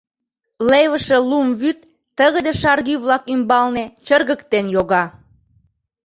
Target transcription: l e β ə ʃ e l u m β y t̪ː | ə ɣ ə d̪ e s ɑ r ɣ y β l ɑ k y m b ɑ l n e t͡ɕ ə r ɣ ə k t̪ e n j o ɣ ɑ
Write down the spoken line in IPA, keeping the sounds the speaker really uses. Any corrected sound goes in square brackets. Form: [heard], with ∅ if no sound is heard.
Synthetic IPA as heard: l e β ə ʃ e l u m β y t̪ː | ə ɣ ə d̪ e [ʃ] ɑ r ɣ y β l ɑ k y m b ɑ l n e t͡ɕ ə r ɣ ə k t̪ e n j o ɣ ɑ